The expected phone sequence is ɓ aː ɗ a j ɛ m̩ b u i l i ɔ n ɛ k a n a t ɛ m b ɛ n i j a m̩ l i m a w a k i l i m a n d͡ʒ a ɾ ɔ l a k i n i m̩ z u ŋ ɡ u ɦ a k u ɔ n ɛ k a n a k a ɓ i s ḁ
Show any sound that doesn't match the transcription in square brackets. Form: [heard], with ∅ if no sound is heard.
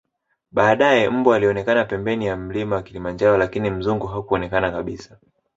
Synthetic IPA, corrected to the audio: ɓ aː ɗ a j ɛ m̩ b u [a] l i ɔ n ɛ k a n a [p] ɛ m b ɛ n i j a m̩ l i m a w a k i l i m a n d͡ʒ a ɾ ɔ l a k i n i m̩ z u ŋ ɡ u ɦ a k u ɔ n ɛ k a n a k a ɓ i s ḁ